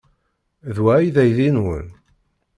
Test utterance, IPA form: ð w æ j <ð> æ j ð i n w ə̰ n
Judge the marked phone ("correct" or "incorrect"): correct